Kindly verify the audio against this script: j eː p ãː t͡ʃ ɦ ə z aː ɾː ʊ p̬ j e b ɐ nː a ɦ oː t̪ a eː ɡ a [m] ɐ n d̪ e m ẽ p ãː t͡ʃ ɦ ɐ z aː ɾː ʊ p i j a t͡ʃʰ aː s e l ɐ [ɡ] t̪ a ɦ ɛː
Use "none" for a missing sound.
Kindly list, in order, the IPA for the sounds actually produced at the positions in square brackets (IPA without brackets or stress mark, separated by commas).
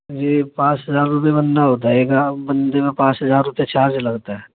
b, ɡ